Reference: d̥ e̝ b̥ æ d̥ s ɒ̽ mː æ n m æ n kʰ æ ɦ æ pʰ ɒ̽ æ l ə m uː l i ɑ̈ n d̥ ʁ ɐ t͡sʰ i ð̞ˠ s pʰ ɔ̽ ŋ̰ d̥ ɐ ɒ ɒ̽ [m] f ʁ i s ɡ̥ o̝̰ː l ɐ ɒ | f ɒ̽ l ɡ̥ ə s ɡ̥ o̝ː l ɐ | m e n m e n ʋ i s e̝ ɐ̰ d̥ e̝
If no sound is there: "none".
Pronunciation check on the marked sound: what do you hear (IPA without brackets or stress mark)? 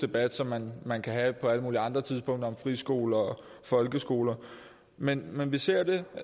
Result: m